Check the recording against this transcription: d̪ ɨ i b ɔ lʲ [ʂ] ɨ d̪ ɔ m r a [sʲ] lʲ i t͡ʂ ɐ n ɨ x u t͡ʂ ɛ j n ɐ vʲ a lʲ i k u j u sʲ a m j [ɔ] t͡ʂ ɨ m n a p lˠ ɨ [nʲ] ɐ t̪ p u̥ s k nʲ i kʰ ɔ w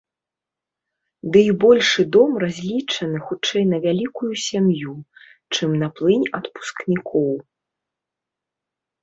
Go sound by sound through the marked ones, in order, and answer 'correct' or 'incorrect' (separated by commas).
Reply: correct, incorrect, incorrect, correct